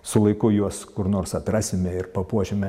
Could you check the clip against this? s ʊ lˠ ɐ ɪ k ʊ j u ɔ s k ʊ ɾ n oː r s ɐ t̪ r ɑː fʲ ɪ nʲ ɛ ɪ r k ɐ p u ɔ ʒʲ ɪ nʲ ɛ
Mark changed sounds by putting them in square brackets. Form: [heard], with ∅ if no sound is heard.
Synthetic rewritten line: s ʊ lˠ ɐ ɪ k ʊ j u ɔ s k ʊ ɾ n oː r s ɐ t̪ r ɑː [sʲ] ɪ [mʲ] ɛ ɪ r [p] ɐ p u ɔ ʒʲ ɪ [mʲ] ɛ